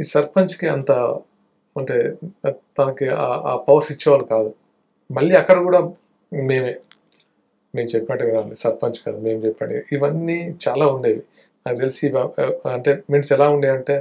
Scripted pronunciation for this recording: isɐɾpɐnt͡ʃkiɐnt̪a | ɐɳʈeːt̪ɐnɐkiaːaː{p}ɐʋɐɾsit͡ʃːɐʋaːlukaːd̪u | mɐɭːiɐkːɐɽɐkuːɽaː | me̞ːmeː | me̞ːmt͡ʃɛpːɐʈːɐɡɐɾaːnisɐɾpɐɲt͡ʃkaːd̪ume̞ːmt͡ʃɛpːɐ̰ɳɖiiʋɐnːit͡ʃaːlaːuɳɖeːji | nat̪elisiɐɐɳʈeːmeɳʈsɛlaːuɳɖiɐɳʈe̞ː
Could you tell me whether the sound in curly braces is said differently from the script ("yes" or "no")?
no